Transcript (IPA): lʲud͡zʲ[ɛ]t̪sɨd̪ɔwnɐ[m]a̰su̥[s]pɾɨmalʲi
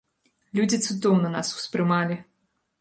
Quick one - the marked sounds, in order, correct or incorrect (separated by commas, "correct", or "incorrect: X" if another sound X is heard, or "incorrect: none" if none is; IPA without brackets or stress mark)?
incorrect: i, incorrect: n, correct